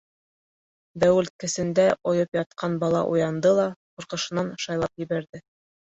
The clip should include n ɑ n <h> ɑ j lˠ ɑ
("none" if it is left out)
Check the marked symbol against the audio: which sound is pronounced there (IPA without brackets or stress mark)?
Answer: ʃ